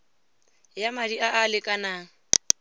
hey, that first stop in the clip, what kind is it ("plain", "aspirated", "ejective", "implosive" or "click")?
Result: plain